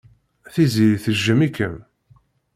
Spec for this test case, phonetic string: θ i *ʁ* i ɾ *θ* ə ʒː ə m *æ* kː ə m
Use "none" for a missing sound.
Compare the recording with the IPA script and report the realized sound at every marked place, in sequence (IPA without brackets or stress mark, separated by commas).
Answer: z, θ, i